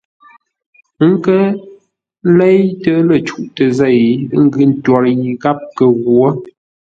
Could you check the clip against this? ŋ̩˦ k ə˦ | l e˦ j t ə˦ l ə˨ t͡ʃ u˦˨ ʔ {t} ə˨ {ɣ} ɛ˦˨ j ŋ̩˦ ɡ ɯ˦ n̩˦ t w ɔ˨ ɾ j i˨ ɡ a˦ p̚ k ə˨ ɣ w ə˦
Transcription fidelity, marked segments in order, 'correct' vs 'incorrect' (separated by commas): correct, incorrect